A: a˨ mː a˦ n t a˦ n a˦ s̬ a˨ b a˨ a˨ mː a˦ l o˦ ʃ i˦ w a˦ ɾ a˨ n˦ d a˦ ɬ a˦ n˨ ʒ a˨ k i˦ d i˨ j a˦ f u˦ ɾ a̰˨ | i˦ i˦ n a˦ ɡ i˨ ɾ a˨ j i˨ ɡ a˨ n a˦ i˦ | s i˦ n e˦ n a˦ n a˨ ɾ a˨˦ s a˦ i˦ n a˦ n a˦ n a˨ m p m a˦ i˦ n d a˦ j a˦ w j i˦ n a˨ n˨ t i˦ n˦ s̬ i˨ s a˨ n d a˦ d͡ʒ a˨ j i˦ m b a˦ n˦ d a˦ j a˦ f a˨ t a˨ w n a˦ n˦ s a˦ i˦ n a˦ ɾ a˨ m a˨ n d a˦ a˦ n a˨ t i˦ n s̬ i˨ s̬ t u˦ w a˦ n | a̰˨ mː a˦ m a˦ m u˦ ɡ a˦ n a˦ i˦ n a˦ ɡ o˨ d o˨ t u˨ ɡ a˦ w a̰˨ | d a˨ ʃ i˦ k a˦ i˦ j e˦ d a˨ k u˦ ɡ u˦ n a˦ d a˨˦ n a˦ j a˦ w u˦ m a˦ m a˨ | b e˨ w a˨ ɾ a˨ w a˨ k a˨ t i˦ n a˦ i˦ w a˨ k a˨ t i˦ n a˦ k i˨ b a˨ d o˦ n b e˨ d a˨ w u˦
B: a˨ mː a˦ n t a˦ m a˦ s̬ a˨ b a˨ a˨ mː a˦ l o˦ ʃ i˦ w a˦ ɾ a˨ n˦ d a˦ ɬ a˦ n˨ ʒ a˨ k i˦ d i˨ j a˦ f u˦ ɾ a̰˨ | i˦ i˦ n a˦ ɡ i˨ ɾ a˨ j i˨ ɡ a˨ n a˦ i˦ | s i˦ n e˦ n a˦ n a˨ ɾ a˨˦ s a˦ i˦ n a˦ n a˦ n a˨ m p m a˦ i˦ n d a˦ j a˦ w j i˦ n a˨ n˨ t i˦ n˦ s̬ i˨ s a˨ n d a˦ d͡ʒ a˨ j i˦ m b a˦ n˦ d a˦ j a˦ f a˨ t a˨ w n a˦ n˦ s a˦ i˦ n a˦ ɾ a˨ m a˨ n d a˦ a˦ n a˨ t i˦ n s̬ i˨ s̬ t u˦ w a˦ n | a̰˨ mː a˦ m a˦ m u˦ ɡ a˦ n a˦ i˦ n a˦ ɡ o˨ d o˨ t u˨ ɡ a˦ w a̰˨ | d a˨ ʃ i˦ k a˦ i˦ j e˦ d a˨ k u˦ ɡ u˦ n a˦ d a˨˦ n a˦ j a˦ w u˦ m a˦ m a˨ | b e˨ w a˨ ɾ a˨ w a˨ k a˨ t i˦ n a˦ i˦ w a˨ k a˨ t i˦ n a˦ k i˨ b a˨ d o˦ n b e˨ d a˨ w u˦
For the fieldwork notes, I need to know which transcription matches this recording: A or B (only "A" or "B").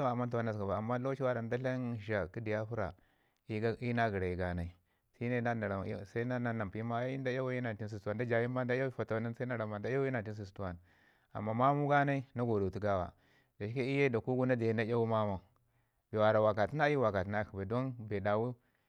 A